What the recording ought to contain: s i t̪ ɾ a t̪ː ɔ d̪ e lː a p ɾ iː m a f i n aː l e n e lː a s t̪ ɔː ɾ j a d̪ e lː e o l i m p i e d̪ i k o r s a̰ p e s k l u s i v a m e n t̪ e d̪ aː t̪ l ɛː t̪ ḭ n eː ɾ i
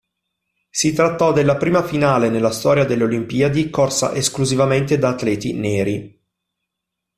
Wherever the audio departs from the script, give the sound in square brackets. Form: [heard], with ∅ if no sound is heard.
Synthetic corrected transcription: s i t̪ ɾ a t̪ː ɔ d̪ e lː a p ɾ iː m a f i n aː l e n e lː a s t̪ ɔː ɾ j a d̪ e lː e o l i m p i [a] d̪ i k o r s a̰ [ʔ] e s k l u [z] i v a m e n t̪ e d̪ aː t̪ l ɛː t̪ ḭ n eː ɾ i